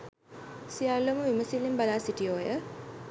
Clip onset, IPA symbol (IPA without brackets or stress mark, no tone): s